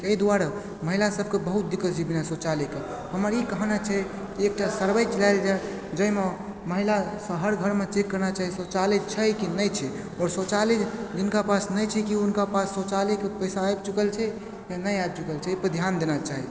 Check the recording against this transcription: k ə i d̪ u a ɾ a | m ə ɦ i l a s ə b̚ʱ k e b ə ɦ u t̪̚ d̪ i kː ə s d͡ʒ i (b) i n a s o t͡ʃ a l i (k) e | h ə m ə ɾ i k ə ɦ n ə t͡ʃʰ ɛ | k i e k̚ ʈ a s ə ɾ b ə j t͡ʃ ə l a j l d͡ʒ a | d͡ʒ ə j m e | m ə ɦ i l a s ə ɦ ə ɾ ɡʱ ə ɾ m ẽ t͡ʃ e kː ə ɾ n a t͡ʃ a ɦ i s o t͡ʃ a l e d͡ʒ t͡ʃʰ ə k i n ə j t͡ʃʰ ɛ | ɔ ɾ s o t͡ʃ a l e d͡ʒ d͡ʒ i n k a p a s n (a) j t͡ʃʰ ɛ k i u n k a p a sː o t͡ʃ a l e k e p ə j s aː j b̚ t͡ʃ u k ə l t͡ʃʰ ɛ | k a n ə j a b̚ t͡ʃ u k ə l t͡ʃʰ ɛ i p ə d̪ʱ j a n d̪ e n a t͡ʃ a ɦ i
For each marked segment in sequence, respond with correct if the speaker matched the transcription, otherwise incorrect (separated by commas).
correct, correct, incorrect